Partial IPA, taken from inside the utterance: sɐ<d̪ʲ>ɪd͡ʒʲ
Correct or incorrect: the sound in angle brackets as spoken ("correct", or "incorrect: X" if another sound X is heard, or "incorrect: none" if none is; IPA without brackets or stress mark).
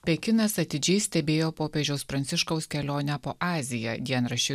incorrect: t̪ʲ